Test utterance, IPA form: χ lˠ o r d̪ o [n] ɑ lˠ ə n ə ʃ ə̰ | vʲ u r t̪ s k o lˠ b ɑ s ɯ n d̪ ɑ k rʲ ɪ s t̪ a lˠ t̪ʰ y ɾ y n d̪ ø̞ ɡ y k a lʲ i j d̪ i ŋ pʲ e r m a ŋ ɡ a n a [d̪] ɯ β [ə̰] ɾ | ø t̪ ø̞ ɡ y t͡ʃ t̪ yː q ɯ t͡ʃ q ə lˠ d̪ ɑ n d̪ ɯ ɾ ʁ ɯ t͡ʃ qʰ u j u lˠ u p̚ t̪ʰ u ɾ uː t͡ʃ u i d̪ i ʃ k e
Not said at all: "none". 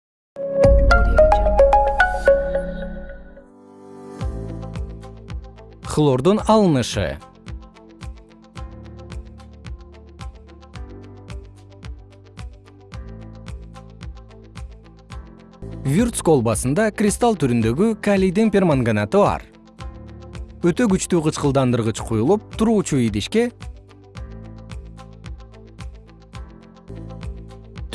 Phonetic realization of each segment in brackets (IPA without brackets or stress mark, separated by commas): n, t̪, ɑ̰